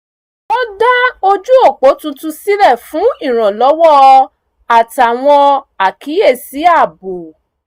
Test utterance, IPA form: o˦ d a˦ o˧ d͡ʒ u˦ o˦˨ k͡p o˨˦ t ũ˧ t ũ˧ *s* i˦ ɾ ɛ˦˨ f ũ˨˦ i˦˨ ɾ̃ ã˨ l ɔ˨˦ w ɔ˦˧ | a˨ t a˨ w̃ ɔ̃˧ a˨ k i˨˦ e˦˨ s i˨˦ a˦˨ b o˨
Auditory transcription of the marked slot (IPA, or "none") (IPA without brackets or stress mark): s